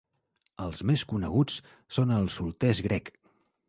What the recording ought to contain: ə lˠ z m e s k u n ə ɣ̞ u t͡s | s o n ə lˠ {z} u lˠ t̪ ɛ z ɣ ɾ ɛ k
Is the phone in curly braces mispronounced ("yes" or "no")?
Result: yes